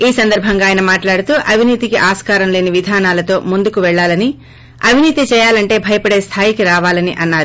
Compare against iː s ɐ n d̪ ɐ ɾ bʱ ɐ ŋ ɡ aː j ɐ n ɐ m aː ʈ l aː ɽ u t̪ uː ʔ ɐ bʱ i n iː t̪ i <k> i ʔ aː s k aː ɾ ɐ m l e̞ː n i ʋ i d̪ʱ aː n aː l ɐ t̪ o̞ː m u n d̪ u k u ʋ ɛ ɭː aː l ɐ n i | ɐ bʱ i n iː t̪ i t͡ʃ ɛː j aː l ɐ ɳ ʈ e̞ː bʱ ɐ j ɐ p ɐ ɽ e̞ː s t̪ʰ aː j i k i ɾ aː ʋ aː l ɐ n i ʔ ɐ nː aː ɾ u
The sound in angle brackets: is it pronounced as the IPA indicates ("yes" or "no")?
yes